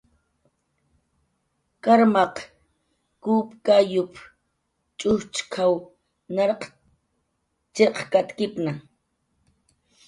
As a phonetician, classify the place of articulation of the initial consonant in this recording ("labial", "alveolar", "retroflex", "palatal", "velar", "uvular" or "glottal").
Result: velar